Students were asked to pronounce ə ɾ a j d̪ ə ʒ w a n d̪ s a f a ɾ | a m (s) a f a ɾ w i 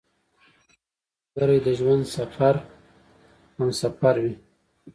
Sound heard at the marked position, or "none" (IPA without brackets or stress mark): s